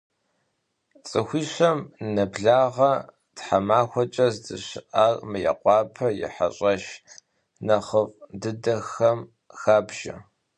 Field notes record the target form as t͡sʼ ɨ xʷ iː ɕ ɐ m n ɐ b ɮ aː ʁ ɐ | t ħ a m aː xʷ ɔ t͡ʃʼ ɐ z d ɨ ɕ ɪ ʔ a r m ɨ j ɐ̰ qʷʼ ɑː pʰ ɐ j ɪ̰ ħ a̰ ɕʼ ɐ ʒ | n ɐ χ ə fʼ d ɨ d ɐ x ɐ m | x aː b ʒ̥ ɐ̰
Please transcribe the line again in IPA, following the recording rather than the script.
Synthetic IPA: t͡sʼ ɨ xʷ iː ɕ ɐ m n ɐ b ɮ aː ʁ ɐ | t ħ a m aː xʷ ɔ t͡ʃʼ ɐ z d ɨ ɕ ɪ ʔ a r m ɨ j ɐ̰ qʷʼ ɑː pʰ ɐ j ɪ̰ ħ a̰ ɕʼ ɐ ʃ | n ɐ χ ə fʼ d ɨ d ɐ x ɐ m | x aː b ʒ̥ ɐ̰